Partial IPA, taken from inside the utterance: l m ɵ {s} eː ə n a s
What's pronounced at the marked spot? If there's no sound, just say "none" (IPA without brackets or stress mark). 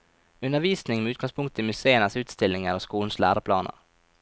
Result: s